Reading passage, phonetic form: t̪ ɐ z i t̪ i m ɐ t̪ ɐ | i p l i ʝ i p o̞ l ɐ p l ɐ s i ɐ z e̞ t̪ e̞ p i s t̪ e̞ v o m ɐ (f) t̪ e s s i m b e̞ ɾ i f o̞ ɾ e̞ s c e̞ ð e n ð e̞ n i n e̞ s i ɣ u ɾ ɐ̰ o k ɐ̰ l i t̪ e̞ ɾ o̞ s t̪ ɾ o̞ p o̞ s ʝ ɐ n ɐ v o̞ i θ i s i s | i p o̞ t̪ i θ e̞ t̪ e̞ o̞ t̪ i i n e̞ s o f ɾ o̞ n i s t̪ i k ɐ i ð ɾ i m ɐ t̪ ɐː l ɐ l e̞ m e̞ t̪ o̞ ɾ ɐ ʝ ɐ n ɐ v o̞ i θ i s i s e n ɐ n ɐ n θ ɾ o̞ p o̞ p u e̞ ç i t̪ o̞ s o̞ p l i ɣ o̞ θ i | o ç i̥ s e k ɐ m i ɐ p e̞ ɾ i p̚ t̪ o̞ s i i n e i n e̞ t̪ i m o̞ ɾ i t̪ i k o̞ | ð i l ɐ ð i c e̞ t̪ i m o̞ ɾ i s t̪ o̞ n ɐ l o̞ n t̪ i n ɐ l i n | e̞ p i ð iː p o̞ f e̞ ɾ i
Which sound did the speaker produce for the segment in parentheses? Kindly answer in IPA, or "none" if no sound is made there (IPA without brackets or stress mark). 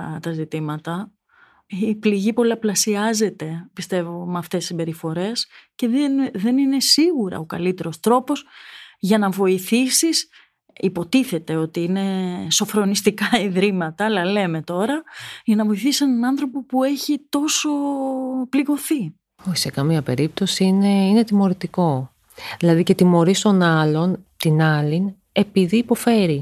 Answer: f